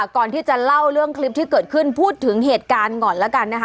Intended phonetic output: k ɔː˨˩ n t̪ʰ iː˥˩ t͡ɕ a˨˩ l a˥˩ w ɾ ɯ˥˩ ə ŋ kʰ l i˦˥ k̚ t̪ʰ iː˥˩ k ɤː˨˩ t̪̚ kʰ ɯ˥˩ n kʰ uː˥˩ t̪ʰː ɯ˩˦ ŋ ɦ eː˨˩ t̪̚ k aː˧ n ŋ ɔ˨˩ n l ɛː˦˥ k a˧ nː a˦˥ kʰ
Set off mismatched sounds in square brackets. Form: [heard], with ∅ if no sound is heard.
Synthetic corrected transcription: k ɔː˨˩ n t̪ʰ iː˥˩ t͡ɕ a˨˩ l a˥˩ w ɾ ɯ˥˩ ə ŋ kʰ l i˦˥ [p̚] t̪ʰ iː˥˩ k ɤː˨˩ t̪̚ kʰ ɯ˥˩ n [pʰ] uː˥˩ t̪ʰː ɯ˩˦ ŋ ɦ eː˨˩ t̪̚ k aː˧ n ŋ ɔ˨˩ n l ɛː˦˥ k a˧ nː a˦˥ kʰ